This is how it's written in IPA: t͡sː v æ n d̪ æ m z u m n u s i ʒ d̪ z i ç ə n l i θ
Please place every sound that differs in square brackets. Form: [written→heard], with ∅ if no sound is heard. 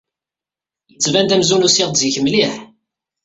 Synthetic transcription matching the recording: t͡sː v æ n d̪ æ m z u [m→∅] n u s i [ʒ→ʁ] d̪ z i ç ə [n→m] l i [θ→ħ]